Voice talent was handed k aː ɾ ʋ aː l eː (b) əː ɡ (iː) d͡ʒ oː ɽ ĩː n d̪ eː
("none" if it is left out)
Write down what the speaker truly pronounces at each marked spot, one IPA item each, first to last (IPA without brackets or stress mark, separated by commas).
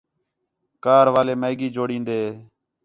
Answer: m, iː